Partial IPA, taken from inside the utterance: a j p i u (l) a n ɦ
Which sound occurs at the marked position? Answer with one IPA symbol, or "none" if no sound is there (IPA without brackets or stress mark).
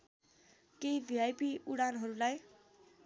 ɽ